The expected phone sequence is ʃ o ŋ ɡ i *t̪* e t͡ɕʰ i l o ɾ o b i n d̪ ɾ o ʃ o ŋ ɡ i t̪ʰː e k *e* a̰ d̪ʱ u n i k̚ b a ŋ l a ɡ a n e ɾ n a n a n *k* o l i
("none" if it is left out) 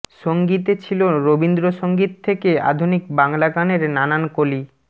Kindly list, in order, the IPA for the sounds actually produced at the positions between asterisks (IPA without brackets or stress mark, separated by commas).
t̪, e, k